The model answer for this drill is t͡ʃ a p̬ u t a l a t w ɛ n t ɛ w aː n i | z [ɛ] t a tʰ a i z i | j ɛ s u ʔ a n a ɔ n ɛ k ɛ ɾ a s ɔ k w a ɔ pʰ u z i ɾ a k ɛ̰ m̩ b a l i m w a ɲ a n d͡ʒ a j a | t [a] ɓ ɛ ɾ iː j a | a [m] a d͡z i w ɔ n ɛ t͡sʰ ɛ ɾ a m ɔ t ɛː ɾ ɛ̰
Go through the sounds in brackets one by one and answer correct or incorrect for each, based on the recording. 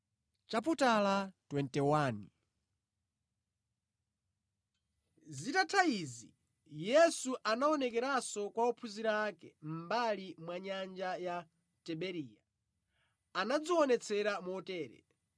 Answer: incorrect: i, incorrect: ɛ, incorrect: n

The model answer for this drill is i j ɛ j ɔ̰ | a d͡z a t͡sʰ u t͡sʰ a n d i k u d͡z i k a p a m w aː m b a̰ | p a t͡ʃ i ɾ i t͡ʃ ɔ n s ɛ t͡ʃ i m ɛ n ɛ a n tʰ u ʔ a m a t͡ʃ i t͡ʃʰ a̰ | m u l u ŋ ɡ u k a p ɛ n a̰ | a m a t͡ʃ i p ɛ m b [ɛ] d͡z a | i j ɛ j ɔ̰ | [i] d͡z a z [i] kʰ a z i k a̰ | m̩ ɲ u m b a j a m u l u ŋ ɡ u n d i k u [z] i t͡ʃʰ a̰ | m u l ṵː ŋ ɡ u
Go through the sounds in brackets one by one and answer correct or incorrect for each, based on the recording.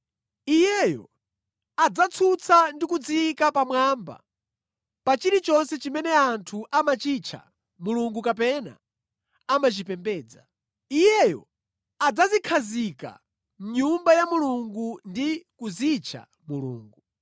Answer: incorrect: ɛː, incorrect: a, correct, correct

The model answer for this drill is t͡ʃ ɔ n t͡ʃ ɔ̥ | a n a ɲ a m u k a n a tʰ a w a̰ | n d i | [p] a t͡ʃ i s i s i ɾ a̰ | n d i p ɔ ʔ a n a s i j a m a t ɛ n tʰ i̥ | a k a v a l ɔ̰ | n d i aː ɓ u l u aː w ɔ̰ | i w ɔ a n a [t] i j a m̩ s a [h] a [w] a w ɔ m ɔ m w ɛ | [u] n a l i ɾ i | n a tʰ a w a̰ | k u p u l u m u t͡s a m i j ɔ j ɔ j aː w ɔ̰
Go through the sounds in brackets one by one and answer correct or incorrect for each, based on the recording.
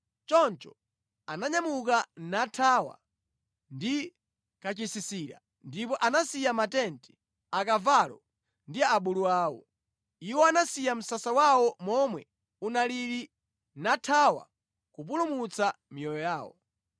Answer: incorrect: k, incorrect: s, incorrect: s, correct, correct

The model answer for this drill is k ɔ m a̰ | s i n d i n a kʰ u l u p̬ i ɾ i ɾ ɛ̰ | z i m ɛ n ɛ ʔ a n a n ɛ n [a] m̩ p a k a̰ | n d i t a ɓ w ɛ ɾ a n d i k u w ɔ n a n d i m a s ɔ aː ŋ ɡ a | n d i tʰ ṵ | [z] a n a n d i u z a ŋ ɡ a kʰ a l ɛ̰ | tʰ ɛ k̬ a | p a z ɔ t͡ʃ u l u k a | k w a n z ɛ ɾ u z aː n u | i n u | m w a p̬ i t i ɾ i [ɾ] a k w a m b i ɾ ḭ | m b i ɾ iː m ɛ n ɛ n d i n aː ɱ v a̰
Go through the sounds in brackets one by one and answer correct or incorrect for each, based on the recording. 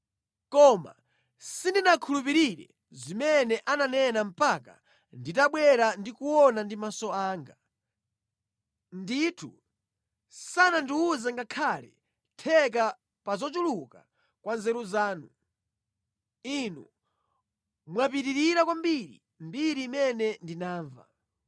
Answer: correct, incorrect: s, correct

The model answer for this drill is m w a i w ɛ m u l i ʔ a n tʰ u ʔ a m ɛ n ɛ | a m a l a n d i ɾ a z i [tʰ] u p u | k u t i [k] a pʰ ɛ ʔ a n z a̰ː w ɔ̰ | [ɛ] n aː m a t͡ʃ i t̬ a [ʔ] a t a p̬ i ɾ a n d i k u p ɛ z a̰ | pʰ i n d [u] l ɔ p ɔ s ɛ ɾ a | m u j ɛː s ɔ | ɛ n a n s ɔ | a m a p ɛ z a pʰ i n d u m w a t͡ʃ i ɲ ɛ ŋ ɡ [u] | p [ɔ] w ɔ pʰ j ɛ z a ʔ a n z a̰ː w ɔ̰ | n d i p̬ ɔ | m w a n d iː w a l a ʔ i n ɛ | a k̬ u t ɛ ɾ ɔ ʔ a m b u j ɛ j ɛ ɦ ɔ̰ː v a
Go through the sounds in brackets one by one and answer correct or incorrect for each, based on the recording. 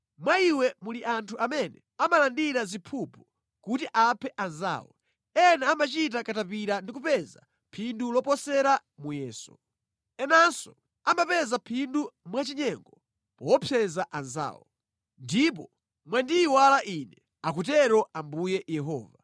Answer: incorrect: pʰ, incorrect: ʔ, correct, incorrect: k, correct, incorrect: ɔ, correct

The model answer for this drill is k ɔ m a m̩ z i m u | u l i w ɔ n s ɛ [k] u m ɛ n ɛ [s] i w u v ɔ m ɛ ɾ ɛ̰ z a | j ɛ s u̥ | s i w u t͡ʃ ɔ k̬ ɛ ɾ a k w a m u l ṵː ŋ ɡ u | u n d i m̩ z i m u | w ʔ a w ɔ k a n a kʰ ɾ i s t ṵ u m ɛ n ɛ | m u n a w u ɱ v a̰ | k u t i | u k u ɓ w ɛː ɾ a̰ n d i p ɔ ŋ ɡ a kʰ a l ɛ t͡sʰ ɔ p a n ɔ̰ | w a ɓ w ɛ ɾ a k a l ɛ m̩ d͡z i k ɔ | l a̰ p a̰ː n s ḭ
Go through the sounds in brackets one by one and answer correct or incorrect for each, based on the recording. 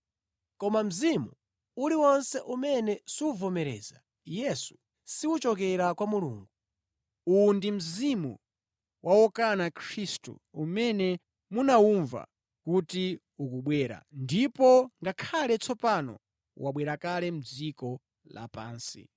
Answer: incorrect: ʔ, correct

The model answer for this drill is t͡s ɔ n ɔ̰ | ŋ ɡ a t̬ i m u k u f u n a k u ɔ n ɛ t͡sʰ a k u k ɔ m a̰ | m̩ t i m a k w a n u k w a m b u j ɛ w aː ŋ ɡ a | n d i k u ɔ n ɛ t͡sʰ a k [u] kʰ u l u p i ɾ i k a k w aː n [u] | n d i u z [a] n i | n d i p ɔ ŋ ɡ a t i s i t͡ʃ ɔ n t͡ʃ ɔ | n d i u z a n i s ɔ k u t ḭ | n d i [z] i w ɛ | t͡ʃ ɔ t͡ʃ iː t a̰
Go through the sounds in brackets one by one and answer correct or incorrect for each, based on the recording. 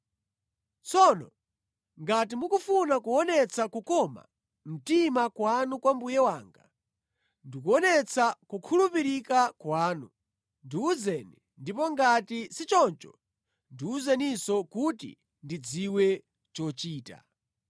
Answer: correct, correct, incorrect: ɛ, incorrect: d͡z

